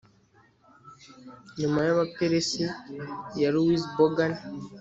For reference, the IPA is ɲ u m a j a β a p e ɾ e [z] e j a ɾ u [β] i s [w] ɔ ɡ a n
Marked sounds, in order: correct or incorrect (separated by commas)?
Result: incorrect, incorrect, incorrect